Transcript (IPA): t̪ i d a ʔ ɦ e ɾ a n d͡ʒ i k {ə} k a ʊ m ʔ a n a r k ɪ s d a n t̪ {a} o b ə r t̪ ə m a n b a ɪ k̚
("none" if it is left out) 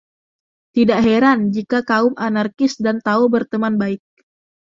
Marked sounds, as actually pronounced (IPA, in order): a, a

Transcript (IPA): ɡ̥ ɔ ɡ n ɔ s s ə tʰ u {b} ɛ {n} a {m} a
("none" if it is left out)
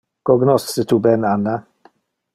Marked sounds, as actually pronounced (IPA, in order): b, n, n

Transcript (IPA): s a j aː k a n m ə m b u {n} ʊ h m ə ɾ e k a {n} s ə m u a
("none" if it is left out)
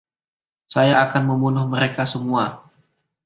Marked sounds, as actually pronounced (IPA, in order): n, none

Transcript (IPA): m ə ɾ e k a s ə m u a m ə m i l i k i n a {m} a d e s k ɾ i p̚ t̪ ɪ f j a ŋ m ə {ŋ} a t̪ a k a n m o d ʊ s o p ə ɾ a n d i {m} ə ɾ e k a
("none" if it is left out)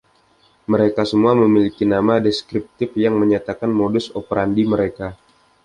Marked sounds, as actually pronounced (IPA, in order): m, ɲ, m

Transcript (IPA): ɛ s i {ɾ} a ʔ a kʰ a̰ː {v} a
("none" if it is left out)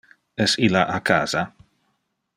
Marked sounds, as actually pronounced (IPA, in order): l, z

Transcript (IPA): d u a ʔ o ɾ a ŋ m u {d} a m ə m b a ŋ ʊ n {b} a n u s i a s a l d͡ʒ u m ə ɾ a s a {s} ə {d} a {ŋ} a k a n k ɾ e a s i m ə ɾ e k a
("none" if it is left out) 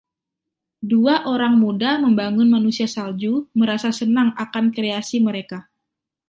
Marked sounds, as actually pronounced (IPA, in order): d, m, s, n, ŋ

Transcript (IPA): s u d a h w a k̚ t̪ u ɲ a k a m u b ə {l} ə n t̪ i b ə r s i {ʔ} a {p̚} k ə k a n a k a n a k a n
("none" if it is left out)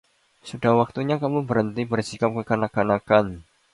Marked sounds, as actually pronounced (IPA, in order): ɾ, k, p̚

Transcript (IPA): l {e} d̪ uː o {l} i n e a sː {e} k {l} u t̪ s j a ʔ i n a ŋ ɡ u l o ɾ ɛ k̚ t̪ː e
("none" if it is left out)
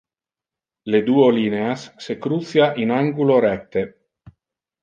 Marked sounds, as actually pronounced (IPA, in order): e, l, e, ɾ

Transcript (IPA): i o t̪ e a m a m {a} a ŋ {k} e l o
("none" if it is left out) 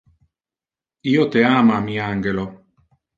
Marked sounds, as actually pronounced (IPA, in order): i, ɡ

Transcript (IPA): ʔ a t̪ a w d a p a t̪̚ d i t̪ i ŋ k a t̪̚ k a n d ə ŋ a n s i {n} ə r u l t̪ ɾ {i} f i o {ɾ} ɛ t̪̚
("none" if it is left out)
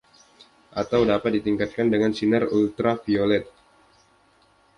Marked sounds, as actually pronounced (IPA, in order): n, a, l

